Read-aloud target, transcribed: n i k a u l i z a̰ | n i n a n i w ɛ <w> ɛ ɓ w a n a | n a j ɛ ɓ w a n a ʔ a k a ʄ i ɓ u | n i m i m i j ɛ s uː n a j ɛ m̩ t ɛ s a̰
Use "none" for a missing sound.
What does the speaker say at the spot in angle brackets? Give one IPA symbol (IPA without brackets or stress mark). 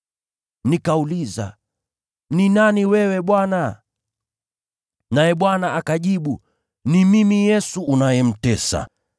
w